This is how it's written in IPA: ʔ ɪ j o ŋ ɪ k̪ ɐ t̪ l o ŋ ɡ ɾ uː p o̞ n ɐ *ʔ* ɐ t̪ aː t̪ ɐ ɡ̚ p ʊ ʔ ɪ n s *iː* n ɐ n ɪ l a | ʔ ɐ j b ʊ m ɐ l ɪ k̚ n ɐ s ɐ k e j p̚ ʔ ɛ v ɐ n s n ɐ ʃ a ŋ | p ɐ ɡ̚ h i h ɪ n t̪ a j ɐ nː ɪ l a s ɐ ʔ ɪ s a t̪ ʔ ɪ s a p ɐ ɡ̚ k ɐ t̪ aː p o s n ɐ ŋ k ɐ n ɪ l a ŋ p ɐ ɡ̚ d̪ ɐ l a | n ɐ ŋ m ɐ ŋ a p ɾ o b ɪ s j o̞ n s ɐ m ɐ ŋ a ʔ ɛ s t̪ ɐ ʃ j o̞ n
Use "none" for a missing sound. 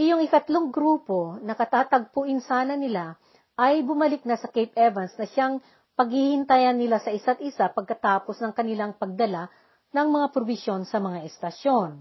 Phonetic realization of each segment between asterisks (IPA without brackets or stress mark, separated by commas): k, aː